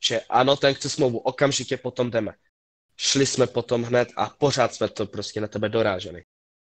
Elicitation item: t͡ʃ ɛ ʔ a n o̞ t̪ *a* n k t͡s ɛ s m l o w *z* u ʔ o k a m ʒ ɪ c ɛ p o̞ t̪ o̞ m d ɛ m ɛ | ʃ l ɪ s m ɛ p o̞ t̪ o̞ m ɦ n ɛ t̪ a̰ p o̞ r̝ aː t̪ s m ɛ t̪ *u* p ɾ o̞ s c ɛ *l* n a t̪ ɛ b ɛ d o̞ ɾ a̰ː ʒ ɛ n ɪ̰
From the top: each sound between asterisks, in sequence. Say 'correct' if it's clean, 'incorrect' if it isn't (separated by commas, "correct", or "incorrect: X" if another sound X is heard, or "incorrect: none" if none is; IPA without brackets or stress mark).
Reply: incorrect: ɛ, incorrect: v, incorrect: o, incorrect: none